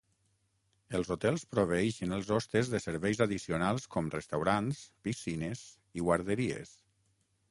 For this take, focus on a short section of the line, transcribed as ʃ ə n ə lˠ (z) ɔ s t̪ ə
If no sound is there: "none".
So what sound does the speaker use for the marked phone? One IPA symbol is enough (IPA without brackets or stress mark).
z